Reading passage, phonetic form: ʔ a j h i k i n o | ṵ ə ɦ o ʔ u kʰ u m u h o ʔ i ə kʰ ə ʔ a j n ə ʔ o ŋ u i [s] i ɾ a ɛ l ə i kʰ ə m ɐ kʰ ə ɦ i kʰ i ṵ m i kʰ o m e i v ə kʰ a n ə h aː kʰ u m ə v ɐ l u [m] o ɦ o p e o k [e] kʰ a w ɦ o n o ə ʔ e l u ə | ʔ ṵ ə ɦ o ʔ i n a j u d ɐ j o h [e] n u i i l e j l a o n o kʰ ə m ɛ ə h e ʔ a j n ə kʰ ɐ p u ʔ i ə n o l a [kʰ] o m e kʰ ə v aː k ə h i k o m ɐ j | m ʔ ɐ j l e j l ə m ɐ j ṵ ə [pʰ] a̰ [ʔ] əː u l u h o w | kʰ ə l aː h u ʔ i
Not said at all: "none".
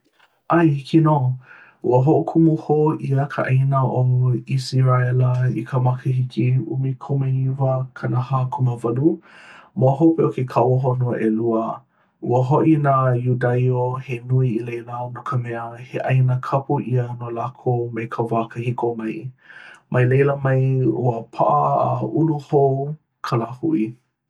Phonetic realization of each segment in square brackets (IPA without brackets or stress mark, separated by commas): s, m, e, e, kʰ, pʰ, ʔ